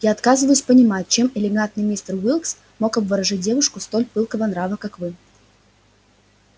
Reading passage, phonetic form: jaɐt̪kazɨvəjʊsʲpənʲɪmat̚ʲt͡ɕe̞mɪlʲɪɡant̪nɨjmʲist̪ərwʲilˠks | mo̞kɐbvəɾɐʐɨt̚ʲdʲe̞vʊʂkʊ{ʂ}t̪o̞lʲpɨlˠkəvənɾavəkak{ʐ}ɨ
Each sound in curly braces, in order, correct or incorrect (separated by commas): incorrect, incorrect